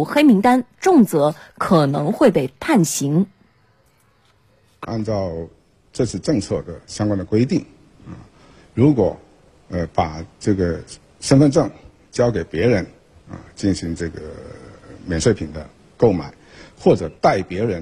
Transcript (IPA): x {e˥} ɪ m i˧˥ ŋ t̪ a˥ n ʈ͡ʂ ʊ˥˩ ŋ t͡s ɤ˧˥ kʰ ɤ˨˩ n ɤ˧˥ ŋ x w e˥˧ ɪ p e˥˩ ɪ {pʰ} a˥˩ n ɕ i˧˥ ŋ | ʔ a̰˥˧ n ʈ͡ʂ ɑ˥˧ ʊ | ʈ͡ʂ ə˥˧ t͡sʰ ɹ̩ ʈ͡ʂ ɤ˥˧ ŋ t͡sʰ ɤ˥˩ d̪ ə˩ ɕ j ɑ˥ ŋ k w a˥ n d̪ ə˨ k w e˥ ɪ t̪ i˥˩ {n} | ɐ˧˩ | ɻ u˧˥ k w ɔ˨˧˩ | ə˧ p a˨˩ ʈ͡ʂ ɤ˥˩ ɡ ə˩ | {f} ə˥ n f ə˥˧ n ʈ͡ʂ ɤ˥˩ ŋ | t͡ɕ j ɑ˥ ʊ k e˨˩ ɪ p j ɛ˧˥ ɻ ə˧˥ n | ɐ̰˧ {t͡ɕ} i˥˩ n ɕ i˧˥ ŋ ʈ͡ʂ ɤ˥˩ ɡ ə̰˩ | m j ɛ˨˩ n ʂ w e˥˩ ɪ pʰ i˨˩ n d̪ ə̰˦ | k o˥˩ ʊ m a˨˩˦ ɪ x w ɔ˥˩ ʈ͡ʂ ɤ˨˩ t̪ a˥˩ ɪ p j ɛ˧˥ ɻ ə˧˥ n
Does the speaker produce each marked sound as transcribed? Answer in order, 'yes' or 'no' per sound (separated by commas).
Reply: yes, yes, no, no, yes